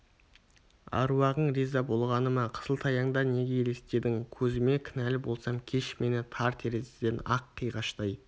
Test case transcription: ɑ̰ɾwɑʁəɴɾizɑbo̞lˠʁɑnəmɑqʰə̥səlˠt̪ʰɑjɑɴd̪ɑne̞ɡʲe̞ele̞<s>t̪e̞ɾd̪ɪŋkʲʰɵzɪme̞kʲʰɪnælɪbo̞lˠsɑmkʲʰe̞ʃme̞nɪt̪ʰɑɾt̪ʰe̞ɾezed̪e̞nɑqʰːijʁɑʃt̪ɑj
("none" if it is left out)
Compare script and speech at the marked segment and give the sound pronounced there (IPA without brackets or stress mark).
s